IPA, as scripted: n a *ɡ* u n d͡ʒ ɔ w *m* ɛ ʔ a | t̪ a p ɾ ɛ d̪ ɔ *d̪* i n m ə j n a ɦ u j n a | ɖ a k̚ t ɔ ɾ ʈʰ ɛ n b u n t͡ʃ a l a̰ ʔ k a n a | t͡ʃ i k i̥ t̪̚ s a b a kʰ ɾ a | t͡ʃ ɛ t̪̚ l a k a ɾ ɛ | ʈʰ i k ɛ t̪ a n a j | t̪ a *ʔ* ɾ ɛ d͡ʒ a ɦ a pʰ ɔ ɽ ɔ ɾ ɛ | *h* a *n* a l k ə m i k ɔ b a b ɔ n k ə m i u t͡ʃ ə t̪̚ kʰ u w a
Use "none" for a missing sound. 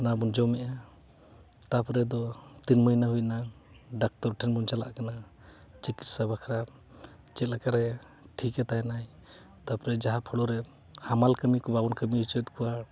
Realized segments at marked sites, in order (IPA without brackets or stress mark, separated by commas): b, m, t̪, p, h, m